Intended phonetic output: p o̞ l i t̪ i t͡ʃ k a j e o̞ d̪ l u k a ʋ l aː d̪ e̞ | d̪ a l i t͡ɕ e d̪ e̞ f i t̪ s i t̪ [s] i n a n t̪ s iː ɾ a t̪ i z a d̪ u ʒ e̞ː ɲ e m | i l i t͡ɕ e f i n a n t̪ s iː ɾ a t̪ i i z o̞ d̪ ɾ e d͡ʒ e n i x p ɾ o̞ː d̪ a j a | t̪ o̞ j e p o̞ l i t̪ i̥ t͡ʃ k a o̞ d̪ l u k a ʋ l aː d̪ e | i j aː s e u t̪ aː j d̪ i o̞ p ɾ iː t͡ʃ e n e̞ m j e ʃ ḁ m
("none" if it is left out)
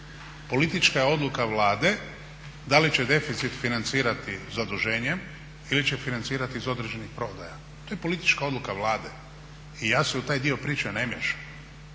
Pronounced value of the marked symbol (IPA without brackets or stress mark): f